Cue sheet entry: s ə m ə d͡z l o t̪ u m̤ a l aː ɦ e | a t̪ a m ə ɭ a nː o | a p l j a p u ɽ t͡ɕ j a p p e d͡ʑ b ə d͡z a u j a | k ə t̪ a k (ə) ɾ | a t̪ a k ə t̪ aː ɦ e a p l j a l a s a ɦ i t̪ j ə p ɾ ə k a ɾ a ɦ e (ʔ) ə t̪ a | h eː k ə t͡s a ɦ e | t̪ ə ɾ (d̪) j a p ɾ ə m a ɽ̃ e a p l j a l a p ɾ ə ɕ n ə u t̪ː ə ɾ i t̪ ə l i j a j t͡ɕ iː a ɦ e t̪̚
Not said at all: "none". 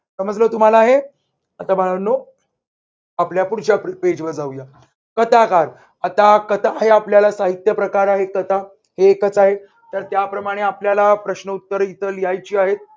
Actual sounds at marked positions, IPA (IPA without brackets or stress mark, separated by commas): a, k, t̪